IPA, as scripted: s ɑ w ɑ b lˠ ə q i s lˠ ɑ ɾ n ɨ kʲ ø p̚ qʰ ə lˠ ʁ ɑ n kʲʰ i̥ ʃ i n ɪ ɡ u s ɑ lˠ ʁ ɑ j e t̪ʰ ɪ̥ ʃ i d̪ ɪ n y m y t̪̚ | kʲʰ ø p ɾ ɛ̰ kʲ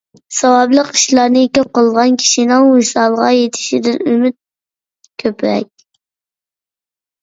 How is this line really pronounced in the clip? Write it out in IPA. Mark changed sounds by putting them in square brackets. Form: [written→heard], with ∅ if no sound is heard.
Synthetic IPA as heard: s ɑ w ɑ b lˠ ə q i [s→ʃ] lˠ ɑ ɾ n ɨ kʲ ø p̚ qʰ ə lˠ ʁ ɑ n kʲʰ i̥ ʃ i n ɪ [ɡ→ŋ] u s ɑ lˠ ʁ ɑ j e t̪ʰ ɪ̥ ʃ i d̪ ɪ n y m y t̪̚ | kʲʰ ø p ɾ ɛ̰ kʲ